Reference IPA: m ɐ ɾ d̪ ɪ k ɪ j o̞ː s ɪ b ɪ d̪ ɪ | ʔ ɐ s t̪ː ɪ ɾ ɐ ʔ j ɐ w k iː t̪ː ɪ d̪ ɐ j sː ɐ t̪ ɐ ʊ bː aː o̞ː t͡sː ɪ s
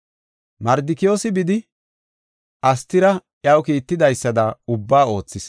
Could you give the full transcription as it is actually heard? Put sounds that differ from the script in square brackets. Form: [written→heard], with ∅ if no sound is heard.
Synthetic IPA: m ɐ ɾ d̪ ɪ k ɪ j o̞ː s ɪ b ɪ d̪ ɪ | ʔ ɐ s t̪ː ɪ ɾ ɐ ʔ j ɐ w k iː t̪ː ɪ d̪ ɐ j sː ɐ [t̪→d̪] ɐ ʊ bː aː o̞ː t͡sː ɪ s